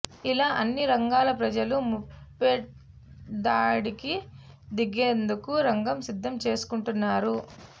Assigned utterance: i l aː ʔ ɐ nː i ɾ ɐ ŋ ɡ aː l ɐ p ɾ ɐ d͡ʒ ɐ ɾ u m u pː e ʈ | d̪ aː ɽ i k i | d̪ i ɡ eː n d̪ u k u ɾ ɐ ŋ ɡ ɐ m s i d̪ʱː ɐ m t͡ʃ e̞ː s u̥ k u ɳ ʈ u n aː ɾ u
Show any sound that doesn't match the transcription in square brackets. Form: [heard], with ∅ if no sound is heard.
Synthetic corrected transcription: i l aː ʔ ɐ nː i ɾ ɐ ŋ ɡ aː l ɐ p ɾ ɐ d͡ʒ ɐ [l] u m u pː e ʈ | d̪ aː ɽ i k i | d̪ i ɡ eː n d̪ u k u ɾ ɐ ŋ ɡ ɐ m s i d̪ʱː ɐ m t͡ʃ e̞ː s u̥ k u ɳ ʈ u [nː] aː ɾ u